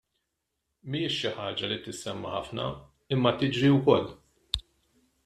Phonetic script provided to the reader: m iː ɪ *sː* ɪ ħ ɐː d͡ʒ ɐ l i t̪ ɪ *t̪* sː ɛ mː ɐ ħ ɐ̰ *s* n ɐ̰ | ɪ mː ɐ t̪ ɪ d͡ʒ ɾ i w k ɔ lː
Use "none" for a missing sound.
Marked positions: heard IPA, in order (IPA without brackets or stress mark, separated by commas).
ʃː, none, f